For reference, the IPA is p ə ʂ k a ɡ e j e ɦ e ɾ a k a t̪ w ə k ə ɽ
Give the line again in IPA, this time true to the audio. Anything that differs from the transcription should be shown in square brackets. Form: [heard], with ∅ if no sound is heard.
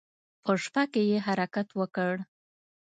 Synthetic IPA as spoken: p ə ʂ [p] a [k] e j e ɦ [a] ɾ a k a t̪ w ə k ə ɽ